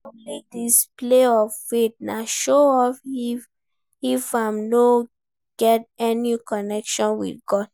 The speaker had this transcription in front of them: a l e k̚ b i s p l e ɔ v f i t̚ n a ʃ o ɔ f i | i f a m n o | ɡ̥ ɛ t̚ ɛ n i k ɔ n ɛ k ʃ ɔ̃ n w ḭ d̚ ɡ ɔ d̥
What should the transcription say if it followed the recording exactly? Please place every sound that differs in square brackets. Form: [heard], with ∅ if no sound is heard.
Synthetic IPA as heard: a l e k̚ [d] i s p l e ɔ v f [e] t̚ n a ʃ o ɔ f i | i f a m n o | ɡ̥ ɛ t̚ ɛ n i k ɔ n ɛ k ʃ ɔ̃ n w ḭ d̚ ɡ ɔ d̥